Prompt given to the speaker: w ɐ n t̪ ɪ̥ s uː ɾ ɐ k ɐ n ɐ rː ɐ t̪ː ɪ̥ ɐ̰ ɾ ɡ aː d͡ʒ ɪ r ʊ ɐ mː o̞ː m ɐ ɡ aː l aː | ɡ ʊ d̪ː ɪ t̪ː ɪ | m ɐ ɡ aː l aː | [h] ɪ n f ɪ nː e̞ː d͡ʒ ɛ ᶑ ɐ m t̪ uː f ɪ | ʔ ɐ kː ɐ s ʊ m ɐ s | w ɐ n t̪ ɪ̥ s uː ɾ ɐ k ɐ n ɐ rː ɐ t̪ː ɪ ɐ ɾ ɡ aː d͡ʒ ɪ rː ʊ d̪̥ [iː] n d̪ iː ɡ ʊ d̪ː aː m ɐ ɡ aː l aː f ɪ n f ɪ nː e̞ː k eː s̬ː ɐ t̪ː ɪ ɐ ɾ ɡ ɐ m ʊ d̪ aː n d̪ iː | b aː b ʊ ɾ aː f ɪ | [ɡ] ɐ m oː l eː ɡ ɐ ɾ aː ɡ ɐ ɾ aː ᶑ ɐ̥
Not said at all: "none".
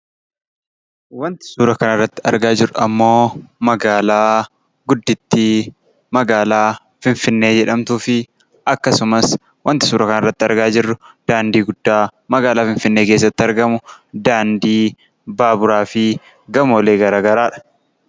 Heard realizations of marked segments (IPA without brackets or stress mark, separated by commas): f, aː, ɡ